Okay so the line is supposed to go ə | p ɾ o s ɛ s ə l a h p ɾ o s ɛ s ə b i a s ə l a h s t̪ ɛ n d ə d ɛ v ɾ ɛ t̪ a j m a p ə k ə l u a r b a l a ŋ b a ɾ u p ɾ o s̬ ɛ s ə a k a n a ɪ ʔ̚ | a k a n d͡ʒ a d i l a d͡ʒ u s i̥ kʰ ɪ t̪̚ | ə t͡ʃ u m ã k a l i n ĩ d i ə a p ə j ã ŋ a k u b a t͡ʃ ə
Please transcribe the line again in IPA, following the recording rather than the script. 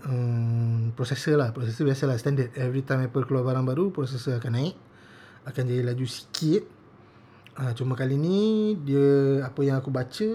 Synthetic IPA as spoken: ə | p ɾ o s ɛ s ə l a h p ɾ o s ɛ s ə b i a s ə l a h s t̪ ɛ n d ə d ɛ v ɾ i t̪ a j m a p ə k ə l u a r b a ɾ a ŋ b a ɾ u p ɾ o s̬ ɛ s ə a k a n a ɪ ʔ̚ | a k a n d͡ʒ a d i l a d͡ʒ u s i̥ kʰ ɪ t̪̚ | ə t͡ʃ u m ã k a l i n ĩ d i ə a p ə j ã ŋ a k u b a t͡ʃ ə